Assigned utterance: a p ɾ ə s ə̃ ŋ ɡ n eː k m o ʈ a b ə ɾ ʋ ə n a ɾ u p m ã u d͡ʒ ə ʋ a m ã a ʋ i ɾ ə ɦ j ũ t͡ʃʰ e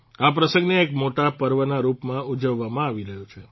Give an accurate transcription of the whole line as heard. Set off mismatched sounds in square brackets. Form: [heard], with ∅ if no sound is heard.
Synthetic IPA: a p ɾ ə s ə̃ ŋ ɡ n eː k m o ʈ a [p] ə ɾ ʋ ə n a ɾ u p m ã u d͡ʒ ə [ʋː] a m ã a ʋ i ɾ ə ɦ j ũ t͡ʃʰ e